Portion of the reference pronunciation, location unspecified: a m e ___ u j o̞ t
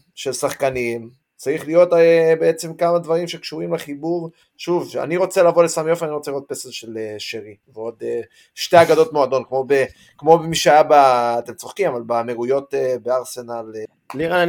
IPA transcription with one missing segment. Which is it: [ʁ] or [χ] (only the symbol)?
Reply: ʁ